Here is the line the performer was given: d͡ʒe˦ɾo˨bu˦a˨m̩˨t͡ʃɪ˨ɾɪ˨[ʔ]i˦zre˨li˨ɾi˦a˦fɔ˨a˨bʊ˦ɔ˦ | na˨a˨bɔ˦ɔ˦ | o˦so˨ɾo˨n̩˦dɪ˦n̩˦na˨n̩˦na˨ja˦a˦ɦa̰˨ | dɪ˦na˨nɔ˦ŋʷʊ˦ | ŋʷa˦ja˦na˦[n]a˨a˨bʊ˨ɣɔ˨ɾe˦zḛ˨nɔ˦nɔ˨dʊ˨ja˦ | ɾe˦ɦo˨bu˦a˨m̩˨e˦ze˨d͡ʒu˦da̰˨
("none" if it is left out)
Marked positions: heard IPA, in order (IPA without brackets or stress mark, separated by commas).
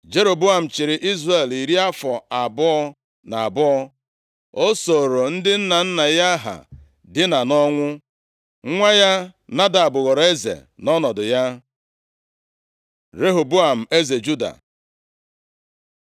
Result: ʔ, d